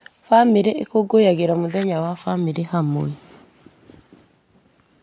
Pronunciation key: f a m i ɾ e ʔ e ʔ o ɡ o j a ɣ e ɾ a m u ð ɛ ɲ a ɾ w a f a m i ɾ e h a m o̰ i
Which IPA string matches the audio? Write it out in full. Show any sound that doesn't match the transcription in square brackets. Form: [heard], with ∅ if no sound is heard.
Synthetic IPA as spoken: f a m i ɾ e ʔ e [k] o ɡ o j a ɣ e ɾ a m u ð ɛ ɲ a [∅] w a f a m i ɾ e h a m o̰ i